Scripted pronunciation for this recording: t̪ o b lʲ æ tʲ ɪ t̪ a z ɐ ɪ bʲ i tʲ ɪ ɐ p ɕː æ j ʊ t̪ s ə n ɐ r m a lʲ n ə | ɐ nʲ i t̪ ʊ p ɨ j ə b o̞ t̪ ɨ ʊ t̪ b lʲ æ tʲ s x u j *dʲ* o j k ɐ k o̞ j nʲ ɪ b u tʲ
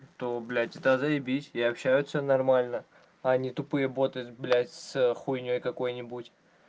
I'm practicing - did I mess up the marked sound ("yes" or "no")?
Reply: yes